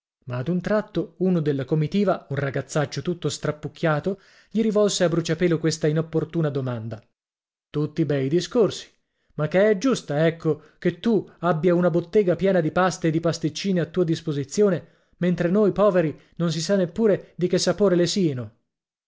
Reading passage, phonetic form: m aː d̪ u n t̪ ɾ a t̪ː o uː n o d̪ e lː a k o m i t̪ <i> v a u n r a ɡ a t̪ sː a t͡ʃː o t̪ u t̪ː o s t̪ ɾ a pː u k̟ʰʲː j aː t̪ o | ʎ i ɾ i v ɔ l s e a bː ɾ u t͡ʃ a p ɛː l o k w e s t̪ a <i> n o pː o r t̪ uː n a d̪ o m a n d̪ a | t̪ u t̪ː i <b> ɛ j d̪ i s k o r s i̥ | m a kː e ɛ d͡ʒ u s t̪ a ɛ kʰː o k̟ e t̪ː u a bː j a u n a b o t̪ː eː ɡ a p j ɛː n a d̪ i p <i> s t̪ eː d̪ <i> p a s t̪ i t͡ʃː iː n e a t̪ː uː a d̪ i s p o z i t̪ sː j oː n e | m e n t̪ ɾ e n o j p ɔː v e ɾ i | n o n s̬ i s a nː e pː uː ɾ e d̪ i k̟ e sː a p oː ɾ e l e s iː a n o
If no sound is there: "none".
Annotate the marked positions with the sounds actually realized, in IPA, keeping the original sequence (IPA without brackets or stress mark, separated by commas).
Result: iː, i, b, a, i